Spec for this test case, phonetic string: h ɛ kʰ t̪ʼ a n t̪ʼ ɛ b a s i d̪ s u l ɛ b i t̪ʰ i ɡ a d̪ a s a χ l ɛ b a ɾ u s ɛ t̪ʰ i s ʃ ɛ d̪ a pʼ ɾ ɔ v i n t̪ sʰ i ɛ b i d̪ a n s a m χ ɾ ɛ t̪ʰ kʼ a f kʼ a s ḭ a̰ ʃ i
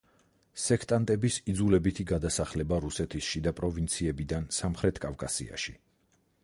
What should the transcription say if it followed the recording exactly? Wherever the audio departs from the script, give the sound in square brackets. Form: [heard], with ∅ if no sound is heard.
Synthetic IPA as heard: [s] ɛ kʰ t̪ʼ a n t̪ʼ ɛ b [i] s i d̪ [z] u l ɛ b i t̪ʰ i ɡ a d̪ a s a χ l ɛ b a ɾ u s ɛ t̪ʰ i s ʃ [i] d̪ a pʼ ɾ ɔ v i n t̪ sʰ i ɛ b i d̪ a n s a m χ ɾ ɛ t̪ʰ kʼ a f kʼ a s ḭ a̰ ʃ i